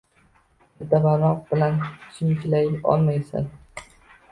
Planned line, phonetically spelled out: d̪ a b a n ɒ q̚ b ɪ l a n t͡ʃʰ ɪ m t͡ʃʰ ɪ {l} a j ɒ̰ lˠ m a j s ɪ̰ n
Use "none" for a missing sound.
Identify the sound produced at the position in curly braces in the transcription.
l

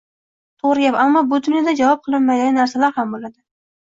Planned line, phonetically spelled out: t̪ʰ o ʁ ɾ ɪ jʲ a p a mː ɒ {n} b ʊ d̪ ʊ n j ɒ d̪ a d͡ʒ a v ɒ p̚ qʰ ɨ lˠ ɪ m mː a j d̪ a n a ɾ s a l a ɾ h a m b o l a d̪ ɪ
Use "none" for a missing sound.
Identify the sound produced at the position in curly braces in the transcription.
none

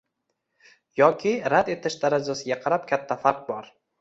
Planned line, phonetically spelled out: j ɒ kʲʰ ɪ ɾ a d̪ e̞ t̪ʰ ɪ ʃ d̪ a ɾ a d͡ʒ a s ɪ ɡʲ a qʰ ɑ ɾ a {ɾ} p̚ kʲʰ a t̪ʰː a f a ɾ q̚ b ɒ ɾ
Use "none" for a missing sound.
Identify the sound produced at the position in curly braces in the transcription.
none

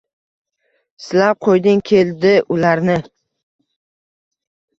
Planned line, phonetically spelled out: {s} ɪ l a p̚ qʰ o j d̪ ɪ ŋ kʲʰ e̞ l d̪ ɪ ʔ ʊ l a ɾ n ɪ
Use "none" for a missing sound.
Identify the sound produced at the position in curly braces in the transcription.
s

